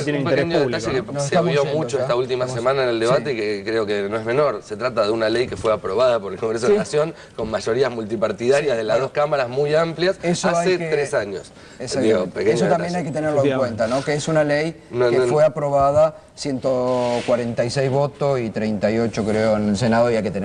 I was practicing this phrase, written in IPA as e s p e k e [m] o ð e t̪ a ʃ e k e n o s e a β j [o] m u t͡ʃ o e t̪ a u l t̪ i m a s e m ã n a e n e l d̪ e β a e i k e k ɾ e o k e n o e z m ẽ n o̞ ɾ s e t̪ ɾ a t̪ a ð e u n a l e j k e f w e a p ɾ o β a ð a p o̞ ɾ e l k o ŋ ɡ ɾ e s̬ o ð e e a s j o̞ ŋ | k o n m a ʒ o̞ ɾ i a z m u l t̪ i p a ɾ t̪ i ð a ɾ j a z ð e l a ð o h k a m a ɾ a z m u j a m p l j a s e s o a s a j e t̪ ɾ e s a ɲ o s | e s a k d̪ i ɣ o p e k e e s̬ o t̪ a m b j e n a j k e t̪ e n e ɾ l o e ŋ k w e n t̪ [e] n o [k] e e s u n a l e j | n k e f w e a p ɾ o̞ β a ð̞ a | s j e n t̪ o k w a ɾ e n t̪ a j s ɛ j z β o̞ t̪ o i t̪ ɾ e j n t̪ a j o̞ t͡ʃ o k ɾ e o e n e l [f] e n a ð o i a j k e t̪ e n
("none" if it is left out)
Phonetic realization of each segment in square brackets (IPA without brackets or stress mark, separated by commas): ɲ, o, a, k, s